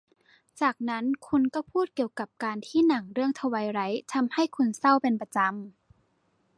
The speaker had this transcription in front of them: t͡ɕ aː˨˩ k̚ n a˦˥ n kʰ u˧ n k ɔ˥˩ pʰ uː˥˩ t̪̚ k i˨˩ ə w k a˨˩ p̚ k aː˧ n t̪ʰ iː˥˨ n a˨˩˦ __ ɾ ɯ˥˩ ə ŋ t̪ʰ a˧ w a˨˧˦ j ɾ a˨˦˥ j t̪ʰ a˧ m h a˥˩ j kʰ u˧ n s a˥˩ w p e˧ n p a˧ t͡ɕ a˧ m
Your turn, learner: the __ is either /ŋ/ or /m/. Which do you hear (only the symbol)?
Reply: ŋ